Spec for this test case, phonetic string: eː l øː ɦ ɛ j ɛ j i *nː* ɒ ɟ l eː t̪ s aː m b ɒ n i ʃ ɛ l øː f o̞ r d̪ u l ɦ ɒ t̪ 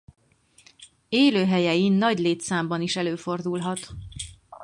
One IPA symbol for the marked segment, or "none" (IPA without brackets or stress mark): nː